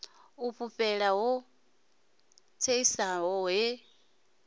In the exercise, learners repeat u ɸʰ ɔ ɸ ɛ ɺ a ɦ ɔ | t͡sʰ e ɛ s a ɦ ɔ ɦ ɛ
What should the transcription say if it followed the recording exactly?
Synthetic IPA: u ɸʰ u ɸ ɛ ɺ a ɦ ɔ | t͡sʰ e i s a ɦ ɔ ɦ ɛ